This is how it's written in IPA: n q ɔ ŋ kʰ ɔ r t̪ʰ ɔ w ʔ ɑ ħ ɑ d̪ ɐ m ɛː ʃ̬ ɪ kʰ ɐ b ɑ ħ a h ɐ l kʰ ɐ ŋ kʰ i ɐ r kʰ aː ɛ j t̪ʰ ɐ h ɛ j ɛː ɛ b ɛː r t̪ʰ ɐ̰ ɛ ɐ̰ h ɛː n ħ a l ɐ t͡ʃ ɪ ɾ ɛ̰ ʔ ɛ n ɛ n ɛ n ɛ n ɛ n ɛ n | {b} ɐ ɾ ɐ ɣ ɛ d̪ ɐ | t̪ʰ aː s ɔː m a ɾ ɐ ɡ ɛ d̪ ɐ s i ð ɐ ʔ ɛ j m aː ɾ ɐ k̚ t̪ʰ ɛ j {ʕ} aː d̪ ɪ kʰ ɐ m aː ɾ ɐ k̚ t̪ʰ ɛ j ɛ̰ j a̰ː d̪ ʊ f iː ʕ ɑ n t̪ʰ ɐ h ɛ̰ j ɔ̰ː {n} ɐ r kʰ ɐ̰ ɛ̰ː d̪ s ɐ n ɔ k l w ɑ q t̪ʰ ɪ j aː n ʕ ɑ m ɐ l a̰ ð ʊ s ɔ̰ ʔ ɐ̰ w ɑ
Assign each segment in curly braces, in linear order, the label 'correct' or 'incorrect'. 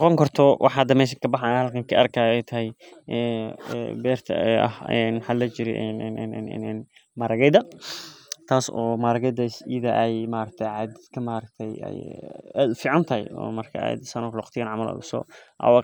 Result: incorrect: m, correct, incorrect: m

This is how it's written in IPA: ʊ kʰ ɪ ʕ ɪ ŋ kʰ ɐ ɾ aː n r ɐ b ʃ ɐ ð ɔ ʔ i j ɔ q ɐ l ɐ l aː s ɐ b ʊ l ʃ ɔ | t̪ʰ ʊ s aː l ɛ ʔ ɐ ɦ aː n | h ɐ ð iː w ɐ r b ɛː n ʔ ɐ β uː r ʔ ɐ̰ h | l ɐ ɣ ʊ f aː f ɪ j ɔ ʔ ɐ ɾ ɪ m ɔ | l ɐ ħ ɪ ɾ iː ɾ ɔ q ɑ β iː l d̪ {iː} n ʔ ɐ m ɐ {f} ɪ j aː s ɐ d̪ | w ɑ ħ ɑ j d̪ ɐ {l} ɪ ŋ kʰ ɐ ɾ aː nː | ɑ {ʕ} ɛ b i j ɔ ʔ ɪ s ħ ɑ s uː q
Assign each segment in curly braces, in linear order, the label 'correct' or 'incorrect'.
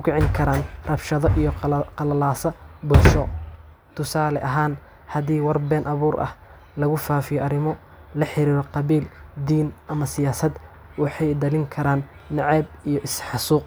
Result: correct, incorrect: s, correct, correct

